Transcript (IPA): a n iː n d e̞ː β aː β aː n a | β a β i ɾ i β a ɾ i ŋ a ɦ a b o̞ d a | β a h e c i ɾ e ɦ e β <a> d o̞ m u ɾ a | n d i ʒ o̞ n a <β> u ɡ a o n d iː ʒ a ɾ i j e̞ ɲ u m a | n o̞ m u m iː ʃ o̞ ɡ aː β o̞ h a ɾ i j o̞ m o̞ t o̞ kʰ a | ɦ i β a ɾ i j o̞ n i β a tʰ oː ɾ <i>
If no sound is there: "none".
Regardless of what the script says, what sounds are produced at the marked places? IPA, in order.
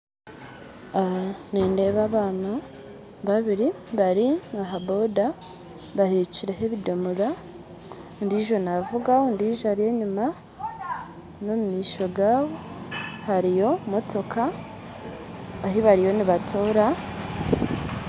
i, v, a

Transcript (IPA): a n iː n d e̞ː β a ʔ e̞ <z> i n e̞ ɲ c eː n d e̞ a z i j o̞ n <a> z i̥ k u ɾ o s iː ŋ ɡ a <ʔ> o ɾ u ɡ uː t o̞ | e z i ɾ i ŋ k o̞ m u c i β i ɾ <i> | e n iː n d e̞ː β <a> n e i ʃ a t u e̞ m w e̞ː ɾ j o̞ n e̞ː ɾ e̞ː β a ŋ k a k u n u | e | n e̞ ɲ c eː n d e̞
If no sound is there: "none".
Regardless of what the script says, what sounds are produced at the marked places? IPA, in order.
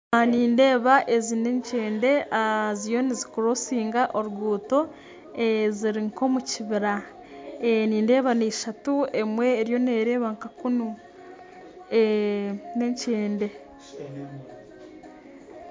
z, i, ʔ, a, a

